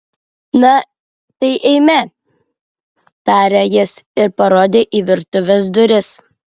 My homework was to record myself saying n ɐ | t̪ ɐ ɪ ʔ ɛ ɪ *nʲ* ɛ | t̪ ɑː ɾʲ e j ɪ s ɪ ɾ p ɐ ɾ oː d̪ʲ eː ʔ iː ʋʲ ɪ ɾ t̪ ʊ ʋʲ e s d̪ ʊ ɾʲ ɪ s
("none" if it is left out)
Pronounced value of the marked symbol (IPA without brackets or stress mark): mʲ